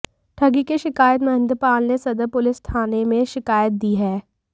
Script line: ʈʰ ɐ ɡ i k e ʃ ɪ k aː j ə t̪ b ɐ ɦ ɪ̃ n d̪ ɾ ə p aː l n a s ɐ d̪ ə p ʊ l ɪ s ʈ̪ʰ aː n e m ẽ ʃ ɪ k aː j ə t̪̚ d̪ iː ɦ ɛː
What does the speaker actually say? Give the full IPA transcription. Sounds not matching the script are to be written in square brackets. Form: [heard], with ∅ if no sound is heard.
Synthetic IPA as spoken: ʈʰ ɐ ɡ i k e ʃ ɪ k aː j ə t̪ [m] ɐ ɦ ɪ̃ n d̪ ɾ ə p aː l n [e] s ɐ d̪ ə p ʊ l ɪ s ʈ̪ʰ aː n e m ẽ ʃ ɪ k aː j ə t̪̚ d̪ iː ɦ ɛː